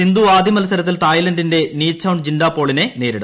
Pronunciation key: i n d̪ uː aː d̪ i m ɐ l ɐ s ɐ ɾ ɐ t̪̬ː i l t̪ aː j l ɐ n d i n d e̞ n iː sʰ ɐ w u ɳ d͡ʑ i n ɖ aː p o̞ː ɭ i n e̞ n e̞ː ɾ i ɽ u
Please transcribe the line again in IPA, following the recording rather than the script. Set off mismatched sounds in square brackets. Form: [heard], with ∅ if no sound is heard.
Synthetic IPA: i n d̪ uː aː d̪ i m ɐ l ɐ s ɐ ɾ ɐ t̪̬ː i l t̪ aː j l ɐ n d i n d e̞ n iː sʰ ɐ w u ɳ d͡ʑ i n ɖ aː p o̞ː ɭ i n e̞ n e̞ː ɾ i ɽ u